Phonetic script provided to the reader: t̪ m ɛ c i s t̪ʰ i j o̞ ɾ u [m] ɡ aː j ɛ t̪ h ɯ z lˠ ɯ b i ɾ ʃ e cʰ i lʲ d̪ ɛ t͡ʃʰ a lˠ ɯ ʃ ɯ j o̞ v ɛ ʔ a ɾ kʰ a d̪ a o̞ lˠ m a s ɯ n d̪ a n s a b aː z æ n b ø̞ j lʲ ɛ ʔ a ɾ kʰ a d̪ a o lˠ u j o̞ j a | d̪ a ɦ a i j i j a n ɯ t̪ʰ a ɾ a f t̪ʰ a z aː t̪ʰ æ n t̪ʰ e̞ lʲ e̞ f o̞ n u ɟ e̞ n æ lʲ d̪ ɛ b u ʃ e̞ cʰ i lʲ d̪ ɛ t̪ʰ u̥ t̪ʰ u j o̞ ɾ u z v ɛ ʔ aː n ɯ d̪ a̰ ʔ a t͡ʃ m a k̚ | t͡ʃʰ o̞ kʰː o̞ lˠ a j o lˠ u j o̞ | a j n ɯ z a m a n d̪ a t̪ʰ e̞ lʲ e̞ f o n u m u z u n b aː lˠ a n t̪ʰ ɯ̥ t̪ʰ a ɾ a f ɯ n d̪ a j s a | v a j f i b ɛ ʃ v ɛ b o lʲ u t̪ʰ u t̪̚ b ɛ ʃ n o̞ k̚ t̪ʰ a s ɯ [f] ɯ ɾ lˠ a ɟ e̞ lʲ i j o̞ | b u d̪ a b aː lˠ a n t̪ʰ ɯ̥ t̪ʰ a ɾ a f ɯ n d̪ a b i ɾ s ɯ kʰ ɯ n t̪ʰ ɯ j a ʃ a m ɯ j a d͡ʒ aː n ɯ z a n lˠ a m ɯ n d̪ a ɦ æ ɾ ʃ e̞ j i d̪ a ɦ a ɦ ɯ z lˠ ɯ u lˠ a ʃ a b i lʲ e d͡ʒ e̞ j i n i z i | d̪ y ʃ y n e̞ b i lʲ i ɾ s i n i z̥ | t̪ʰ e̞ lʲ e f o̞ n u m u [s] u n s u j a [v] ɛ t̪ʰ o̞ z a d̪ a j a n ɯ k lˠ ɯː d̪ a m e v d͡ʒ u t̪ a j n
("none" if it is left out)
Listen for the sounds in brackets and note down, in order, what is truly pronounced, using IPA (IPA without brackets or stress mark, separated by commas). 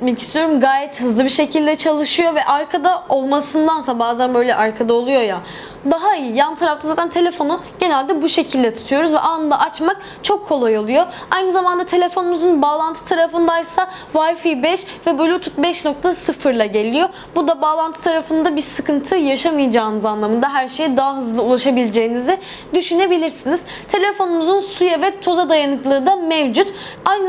m, f, z, v